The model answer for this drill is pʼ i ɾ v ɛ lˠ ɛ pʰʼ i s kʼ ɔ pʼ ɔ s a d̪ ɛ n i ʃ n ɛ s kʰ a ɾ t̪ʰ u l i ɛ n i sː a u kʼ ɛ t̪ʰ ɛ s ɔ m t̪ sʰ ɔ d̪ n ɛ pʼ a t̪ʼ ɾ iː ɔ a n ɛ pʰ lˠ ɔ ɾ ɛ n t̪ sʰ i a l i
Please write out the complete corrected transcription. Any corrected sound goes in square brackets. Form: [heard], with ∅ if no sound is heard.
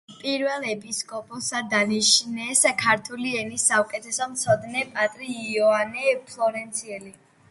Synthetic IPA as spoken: pʼ i ɾ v ɛ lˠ ɛ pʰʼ i s kʼ ɔ pʼ ɔ s a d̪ [a] n i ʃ n ɛ s kʰ a ɾ t̪ʰ u l i ɛ n i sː a u kʼ ɛ t̪ʰ ɛ s ɔ m t̪ sʰ ɔ d̪ n ɛ pʼ a t̪ʼ ɾ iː ɔ a n ɛ pʰ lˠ ɔ ɾ ɛ n t̪ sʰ i [ɛ] l i